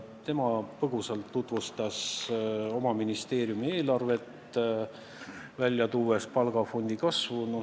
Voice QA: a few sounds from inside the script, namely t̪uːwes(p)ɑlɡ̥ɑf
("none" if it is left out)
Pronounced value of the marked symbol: p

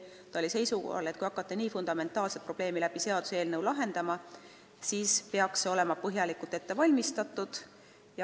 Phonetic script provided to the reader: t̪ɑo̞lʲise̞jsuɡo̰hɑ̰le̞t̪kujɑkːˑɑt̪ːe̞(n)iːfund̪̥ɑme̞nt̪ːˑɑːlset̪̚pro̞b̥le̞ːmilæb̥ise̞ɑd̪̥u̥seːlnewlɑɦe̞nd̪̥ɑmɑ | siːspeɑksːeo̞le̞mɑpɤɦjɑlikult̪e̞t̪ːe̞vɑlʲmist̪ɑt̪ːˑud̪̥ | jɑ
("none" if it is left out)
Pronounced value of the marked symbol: n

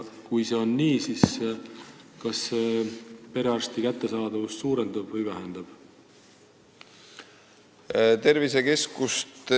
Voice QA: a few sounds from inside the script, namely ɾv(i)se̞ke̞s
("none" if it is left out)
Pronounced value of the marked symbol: i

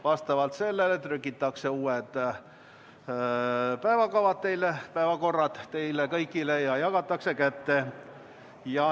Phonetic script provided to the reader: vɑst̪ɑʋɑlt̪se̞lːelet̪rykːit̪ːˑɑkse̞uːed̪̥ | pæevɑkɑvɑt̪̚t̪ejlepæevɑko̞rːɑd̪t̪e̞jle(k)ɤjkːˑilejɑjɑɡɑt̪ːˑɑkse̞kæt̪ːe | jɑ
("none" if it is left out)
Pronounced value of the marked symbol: k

